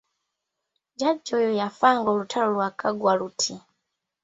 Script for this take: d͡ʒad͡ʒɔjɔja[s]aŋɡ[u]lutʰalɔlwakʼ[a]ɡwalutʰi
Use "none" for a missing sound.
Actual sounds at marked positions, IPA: f, ɔ, a

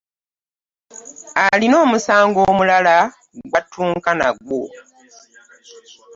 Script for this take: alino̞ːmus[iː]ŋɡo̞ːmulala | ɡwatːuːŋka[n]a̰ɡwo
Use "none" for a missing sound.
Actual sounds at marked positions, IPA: aː, n

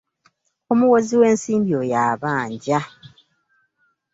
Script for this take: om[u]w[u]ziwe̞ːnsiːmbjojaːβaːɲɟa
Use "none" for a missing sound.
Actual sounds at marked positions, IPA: u, o

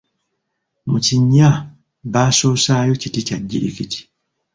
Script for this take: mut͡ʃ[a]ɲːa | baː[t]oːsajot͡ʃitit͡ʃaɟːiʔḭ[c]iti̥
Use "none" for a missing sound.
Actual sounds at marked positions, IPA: i, s, k

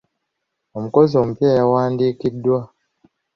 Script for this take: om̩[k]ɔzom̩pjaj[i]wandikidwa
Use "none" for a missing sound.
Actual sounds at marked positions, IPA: k, a

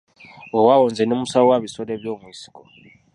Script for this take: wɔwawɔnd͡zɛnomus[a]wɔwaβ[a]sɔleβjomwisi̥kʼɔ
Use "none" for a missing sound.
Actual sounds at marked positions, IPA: a, i

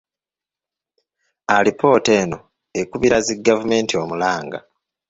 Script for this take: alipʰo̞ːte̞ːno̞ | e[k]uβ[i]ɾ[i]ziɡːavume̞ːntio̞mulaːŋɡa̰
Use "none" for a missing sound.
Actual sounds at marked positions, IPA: k, i, a

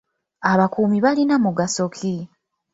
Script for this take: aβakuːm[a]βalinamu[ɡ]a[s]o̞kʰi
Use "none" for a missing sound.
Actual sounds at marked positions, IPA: i, ɡ, s

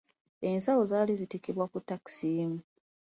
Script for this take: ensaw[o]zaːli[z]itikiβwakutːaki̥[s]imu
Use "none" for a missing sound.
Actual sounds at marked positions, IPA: o, z, s

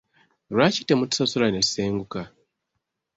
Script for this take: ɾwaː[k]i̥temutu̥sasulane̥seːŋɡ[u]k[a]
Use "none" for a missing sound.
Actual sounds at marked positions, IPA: c, u, a

